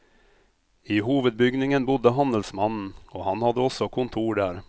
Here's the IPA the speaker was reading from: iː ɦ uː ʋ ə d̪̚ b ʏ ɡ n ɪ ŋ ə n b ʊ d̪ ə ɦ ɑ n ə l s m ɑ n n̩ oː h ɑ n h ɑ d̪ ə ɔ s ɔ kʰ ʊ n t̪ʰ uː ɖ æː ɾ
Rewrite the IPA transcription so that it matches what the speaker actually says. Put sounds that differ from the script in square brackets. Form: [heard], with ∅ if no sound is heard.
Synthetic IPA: iː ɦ uː ʋ ə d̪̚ b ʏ ɡ n ɪ ŋ ə n b ʊ d̪ ə ɦ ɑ n ə l s m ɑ n n̩ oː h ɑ n h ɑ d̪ ə ɔ s ɔ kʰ ʊ n t̪ʰ uː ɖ æː ɾ

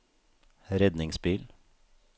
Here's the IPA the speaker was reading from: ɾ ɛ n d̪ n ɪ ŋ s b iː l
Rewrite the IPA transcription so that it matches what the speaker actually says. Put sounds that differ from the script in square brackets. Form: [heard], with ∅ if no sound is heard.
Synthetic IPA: ɾ ɛ [∅] d̪ n ɪ ŋ s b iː l

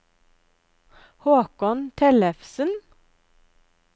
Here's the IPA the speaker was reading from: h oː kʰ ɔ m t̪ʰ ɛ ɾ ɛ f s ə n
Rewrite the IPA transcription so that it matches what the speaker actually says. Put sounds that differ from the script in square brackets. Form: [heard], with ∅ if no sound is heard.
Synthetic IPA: h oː [k] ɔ [n] t̪ʰ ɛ [l] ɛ f s ə n

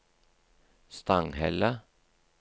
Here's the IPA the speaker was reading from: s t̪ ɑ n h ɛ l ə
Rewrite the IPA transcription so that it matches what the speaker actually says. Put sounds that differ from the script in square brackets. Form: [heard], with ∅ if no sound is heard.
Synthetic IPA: s t̪ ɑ [ŋ] h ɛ l ə

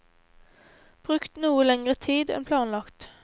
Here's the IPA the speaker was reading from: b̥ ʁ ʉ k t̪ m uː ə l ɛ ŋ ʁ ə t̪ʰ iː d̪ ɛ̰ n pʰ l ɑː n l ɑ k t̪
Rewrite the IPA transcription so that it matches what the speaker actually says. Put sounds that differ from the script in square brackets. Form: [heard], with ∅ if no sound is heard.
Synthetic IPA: b̥ ʁ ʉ k t̪ [n] uː ə l ɛ ŋ ʁ ə t̪ʰ iː d̪ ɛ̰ n pʰ l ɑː n l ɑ k t̪

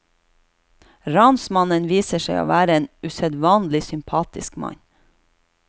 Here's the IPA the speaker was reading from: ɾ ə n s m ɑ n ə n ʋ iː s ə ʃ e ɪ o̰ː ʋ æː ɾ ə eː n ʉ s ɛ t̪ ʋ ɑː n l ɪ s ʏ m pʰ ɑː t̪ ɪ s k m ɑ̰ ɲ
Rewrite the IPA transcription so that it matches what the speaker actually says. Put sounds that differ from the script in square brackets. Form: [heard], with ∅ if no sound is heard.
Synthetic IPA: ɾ [ɑ] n s m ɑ n ə n ʋ iː s ə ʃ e ɪ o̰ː ʋ æː ɾ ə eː n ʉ s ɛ [d̪] ʋ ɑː n l ɪ s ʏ m pʰ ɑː t̪ ɪ s k m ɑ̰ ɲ

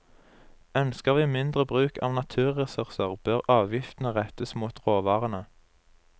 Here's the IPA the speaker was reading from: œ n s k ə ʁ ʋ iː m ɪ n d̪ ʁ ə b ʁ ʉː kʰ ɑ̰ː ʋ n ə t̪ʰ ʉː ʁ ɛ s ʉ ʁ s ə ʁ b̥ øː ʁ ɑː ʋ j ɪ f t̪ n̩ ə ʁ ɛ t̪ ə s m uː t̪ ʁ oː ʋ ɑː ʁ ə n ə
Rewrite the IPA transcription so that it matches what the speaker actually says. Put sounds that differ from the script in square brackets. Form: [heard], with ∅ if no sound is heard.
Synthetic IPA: œ n s k ə ʁ ʋ iː m ɪ n d̪ ʁ ə b ʁ ʉː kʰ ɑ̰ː ʋ n [ɑ] t̪ʰ ʉː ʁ ɛ s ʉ ʁ s ə ʁ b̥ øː ʁ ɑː ʋ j ɪ f t̪ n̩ ə ʁ ɛ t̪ ə s m uː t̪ ʁ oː ʋ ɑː ʁ ə n ə

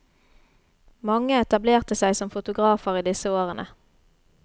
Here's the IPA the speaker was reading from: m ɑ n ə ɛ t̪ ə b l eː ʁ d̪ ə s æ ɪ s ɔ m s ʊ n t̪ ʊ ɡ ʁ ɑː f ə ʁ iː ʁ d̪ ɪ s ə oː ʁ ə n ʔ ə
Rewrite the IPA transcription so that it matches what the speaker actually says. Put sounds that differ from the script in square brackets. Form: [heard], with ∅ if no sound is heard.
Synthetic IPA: m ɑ [ŋ] ə ɛ t̪ [ɑ] b l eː ʁ [t̪] ə s æ ɪ s ɔ m [f] ʊ [∅] t̪ ʊ ɡ ʁ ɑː f ə ʁ iː [∅] d̪ ɪ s ə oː ʁ ə n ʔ ə

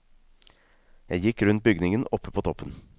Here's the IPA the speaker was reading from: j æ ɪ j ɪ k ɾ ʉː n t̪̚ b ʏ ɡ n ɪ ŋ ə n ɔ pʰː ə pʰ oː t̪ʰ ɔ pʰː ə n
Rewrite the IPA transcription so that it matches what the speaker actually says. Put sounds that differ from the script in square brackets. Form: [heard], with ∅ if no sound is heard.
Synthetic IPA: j æ ɪ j ɪ k ɾ [ʉ] n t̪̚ b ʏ ɡ n ɪ ŋ ə n ɔ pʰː ə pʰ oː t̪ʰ ɔ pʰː ə n

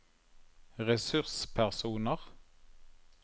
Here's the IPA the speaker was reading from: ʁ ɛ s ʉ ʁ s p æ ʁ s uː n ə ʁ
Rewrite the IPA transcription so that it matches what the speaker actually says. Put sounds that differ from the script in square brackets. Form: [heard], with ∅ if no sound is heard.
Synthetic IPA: ʁ ɛ s ʉ ʁ s [pʰ] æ ʁ s uː n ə ʁ

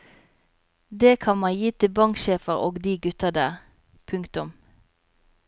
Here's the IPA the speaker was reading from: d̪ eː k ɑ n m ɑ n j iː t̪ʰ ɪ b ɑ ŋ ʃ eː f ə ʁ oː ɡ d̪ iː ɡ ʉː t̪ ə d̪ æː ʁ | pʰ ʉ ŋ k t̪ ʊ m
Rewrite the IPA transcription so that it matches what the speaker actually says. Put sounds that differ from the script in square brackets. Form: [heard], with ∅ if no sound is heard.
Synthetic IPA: d̪ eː [kʰ] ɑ n m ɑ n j iː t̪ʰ ɪ b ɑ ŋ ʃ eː f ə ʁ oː ɡ d̪ iː ɡ [ʉ] t̪ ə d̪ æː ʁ | pʰ ʉ ŋ k t̪ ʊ m

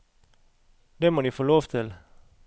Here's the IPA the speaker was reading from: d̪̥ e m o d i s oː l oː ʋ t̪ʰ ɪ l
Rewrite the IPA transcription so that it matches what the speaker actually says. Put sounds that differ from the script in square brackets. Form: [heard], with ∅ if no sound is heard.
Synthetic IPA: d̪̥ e m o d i [f] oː l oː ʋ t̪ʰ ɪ l

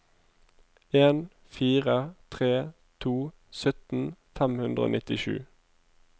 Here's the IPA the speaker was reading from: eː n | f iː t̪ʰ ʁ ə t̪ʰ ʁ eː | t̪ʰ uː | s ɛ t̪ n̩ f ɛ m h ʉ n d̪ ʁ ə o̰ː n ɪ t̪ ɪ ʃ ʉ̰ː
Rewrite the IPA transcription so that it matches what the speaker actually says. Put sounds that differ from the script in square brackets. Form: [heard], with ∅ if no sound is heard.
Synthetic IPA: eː n | f iː [∅] ʁ ə t̪ʰ ʁ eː | t̪ʰ uː | s [œ] t̪ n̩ f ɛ m h ʉ n d̪ ʁ ə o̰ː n ɪ t̪ ɪ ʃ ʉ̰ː

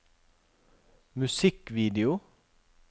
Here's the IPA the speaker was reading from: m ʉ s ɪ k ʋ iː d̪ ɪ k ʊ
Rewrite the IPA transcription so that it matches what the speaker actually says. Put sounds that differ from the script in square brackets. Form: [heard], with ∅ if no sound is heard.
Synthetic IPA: m ʉ s ɪ k ʋ iː d̪ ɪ [∅] ʊ

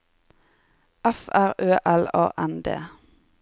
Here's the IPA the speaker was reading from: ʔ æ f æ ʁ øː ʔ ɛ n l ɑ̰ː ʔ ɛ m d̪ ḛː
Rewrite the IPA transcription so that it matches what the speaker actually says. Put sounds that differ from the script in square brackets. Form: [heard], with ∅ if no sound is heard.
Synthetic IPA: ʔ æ f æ ʁ øː ʔ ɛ [∅] l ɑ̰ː ʔ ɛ [n] d̪ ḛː

